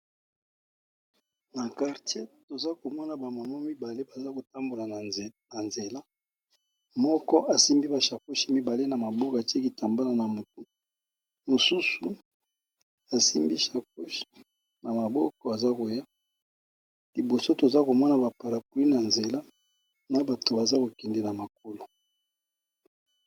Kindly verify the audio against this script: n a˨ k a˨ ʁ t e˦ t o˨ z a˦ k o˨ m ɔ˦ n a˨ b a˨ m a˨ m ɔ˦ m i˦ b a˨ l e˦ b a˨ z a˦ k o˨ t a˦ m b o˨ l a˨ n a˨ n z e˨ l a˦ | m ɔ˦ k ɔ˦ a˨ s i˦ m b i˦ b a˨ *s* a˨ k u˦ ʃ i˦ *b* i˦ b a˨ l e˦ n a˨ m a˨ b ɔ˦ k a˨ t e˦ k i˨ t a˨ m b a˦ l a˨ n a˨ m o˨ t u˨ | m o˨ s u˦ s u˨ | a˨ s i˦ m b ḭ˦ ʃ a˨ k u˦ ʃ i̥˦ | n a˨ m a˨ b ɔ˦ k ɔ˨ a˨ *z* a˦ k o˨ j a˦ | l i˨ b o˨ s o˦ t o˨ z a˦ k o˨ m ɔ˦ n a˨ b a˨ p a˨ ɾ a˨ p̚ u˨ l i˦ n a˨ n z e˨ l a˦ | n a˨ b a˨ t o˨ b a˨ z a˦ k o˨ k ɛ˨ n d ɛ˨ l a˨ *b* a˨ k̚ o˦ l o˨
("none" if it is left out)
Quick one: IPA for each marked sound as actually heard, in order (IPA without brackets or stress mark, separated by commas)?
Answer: ʃ, m, z, m